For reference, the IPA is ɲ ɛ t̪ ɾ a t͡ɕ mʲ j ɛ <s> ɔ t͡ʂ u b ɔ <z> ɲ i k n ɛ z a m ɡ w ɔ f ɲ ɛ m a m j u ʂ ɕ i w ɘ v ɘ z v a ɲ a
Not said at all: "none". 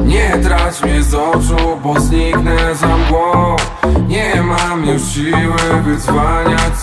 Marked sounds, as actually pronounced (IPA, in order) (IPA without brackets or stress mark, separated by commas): z, z